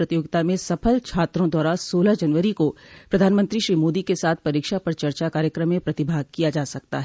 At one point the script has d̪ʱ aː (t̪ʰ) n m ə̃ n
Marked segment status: incorrect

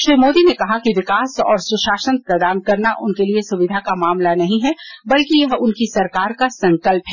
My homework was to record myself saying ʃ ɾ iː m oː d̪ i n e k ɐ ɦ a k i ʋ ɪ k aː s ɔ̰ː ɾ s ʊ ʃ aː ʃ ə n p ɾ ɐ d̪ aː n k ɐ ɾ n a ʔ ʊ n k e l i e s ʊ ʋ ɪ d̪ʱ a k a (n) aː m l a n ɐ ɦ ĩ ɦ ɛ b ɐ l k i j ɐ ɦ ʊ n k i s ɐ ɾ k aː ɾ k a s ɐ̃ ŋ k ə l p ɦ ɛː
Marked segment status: incorrect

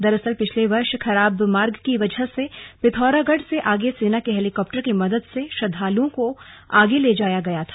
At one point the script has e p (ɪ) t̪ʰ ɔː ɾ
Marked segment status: correct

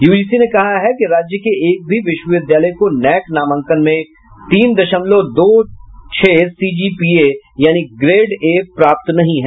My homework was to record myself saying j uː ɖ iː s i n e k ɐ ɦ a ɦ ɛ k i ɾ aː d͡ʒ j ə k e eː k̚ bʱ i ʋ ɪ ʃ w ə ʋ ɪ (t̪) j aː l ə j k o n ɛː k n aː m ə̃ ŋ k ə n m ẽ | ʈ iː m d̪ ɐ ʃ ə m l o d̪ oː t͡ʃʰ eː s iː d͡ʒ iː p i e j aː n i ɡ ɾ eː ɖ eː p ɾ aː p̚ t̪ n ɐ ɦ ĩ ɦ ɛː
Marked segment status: incorrect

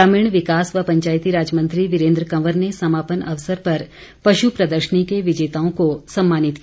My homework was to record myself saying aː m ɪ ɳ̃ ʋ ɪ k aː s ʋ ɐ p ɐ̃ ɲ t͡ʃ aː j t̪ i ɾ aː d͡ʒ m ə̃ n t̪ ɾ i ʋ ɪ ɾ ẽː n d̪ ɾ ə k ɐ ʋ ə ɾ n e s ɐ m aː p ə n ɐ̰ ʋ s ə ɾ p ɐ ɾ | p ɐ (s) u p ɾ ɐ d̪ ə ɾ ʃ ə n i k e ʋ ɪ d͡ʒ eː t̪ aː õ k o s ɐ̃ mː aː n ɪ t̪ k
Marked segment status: incorrect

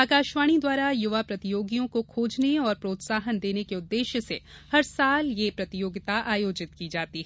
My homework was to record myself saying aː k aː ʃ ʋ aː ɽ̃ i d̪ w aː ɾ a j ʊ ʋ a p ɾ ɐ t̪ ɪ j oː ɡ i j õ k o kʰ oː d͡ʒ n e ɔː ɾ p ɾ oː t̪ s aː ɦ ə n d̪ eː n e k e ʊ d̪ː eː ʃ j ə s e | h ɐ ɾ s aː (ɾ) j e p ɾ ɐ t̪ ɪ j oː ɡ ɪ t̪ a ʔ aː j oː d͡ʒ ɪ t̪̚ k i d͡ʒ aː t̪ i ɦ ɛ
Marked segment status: incorrect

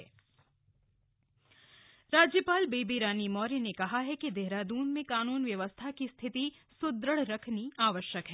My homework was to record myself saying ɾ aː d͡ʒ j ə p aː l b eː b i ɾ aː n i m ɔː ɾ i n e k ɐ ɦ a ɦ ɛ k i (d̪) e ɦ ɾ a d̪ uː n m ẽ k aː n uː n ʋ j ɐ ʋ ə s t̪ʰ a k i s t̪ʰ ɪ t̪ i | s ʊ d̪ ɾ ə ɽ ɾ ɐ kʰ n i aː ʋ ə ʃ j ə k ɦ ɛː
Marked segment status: correct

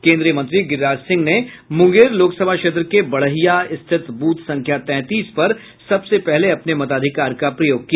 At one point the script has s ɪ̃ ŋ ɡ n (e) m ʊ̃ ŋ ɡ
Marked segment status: correct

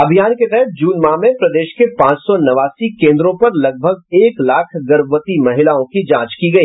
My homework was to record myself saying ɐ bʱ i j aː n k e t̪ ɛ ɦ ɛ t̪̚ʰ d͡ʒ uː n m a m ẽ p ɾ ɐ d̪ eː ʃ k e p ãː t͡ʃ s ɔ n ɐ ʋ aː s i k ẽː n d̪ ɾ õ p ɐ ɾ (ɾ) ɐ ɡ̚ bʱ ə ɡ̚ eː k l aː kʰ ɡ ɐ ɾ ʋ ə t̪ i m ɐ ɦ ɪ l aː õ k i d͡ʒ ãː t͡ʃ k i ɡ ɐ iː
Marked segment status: incorrect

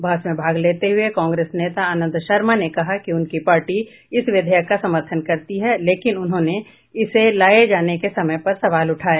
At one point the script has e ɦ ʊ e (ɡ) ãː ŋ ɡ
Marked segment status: incorrect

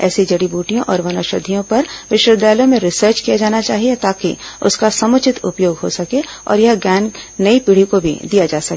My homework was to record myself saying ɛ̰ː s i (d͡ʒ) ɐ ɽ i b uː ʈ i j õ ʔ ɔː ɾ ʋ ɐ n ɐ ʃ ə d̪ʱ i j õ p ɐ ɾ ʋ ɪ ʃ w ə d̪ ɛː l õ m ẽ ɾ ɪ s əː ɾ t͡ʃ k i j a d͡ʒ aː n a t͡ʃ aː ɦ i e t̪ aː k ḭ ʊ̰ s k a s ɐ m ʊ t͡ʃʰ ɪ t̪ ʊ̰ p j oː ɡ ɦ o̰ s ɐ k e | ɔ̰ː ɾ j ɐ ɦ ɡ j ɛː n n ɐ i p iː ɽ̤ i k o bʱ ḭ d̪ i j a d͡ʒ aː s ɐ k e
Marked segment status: correct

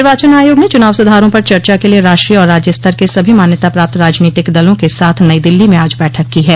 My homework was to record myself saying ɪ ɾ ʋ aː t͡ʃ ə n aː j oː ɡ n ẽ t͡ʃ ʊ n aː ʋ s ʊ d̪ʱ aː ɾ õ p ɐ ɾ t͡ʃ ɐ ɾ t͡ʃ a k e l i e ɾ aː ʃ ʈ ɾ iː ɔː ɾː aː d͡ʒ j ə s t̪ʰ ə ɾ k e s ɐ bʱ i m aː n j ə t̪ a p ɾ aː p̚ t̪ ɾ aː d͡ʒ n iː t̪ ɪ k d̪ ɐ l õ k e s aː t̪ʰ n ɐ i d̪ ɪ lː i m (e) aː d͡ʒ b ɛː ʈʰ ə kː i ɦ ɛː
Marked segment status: incorrect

